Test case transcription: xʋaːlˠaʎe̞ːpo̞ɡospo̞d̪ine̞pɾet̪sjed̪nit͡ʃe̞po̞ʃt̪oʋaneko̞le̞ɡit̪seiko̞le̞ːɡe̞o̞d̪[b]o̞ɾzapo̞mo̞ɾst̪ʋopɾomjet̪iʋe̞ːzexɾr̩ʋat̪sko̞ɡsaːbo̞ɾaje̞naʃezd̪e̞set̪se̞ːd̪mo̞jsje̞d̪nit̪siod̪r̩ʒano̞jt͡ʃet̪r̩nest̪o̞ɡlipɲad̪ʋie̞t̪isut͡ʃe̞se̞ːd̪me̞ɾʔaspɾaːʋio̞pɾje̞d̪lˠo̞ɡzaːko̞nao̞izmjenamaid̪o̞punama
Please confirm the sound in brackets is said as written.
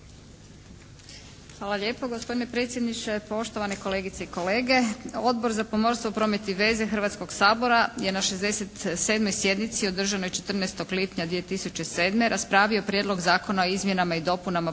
yes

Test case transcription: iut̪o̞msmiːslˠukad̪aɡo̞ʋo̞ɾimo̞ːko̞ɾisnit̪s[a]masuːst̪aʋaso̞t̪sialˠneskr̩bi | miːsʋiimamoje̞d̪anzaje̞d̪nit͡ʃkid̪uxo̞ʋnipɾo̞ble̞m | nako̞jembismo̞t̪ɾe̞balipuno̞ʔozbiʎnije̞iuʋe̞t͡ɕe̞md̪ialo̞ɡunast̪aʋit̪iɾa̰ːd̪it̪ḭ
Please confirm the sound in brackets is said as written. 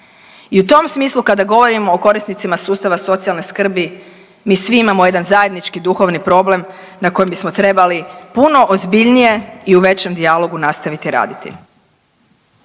no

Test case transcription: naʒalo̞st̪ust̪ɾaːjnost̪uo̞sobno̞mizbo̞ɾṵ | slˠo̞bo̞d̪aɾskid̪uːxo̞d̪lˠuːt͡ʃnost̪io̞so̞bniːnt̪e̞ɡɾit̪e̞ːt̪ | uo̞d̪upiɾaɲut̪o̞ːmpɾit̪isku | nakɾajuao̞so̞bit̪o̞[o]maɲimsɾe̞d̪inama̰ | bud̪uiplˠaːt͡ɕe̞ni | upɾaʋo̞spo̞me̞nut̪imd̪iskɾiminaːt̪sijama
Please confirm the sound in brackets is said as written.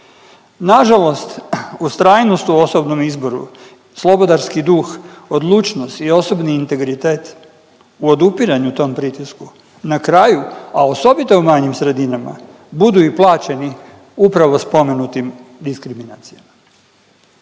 no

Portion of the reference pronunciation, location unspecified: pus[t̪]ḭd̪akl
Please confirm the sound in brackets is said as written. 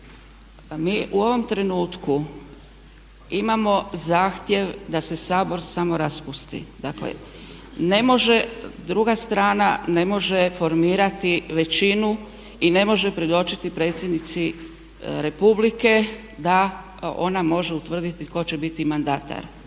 yes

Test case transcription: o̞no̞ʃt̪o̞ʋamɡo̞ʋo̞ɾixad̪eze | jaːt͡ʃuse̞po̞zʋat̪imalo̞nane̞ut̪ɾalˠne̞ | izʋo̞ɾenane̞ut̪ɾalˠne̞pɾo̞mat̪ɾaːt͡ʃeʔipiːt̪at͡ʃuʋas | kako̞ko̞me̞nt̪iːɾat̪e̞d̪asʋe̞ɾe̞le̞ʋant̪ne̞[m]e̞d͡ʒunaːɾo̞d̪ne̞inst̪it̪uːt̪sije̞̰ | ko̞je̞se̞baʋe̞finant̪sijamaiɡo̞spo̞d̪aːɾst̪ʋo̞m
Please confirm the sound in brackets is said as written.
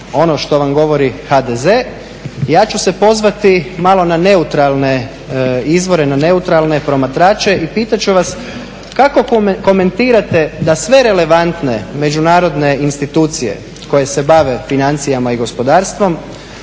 yes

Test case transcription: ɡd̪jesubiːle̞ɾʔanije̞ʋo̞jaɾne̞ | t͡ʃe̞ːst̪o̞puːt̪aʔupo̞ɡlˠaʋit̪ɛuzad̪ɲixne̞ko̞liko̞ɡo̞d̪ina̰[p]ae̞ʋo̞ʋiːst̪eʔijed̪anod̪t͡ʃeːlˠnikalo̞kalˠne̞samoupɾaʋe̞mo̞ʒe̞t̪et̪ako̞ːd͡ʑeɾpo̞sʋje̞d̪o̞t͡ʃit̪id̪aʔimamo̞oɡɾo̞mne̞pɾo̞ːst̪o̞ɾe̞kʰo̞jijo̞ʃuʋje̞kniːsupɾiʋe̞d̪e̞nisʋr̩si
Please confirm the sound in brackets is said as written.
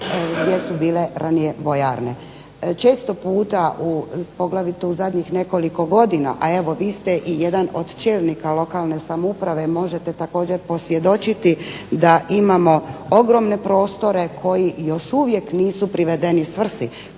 no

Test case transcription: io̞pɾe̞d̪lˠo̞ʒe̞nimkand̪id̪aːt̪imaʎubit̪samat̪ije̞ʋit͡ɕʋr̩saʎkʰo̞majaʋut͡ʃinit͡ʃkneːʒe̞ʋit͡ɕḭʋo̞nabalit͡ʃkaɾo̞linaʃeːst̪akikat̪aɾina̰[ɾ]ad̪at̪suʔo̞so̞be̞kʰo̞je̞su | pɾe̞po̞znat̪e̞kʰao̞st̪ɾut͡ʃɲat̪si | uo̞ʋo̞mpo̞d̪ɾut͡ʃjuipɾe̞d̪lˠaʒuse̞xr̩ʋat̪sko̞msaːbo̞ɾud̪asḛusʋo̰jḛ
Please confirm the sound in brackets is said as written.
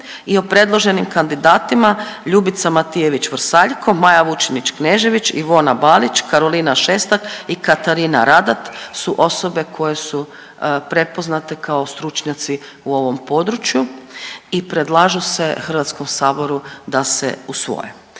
yes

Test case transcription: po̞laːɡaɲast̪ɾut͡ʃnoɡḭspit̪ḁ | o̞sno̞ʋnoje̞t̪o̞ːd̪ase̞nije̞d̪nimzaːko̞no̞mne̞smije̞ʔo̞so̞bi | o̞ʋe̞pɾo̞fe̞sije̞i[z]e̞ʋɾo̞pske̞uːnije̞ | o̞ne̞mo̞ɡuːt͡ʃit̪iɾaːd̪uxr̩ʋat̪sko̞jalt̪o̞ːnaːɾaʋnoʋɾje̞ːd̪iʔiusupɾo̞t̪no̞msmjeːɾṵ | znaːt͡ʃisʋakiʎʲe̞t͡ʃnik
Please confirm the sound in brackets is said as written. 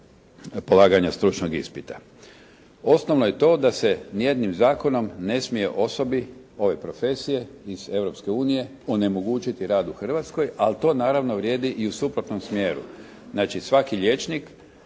yes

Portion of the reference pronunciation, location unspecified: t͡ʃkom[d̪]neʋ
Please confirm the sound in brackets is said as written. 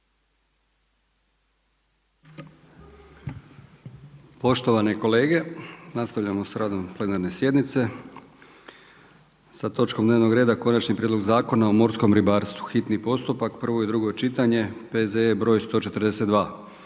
yes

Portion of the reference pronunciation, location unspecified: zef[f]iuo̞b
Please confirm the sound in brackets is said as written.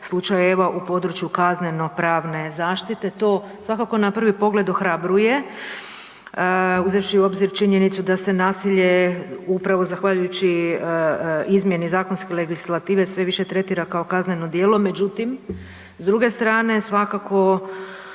no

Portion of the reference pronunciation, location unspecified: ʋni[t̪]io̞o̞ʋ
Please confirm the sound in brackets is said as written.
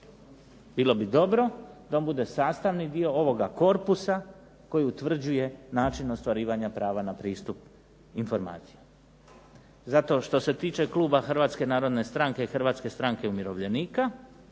no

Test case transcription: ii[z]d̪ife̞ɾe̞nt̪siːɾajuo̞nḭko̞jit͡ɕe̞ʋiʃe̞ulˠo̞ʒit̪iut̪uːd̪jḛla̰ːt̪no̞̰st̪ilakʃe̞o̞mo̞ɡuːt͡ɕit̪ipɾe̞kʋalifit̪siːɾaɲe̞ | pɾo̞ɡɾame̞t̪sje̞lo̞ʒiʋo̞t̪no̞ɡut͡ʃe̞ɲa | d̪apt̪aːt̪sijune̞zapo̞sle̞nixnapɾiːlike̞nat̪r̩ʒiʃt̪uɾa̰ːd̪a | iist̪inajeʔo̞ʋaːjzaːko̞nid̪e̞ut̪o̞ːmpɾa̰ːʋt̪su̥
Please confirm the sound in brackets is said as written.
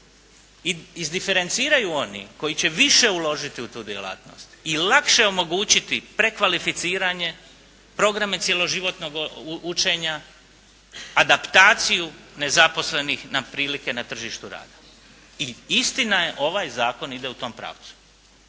yes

